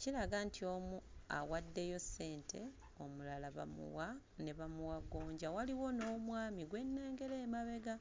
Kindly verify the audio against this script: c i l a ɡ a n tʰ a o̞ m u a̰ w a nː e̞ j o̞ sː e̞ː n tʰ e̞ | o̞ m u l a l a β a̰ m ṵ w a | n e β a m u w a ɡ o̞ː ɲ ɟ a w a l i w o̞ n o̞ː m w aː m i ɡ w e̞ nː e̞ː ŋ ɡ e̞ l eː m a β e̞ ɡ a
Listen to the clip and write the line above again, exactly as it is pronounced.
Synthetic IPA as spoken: c i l a ɡ a n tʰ i o̞ m u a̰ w a dː e̞ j o̞ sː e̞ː n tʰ e̞ | o̞ m u l a l a β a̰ m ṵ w a | n e β a m u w a ɡ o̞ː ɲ ɟ a w a l i w o̞ n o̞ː m w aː m i ɡ w e̞ nː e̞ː ŋ ɡ e̞ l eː m a β e̞ ɡ a